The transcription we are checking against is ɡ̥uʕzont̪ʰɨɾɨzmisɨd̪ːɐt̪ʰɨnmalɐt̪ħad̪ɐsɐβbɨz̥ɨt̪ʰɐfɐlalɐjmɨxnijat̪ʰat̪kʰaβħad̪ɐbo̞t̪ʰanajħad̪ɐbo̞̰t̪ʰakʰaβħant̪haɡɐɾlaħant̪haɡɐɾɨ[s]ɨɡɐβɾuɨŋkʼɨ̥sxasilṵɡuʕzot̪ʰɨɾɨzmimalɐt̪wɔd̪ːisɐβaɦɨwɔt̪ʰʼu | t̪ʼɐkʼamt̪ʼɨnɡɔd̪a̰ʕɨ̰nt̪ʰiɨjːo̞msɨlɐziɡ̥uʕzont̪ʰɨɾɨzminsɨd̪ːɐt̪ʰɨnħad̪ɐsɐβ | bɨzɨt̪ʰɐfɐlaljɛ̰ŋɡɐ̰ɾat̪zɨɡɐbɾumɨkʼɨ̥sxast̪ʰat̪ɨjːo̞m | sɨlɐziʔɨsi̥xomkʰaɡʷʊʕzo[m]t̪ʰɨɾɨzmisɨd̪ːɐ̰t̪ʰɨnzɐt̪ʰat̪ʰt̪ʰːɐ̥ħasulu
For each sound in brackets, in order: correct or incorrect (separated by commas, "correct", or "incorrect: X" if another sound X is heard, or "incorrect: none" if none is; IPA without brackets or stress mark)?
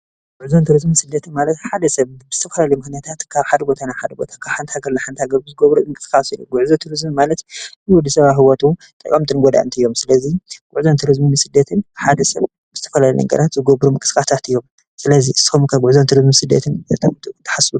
incorrect: z, incorrect: n